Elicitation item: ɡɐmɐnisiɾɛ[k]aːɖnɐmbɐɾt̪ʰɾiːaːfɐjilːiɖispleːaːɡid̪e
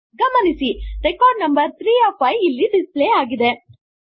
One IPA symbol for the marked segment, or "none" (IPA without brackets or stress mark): k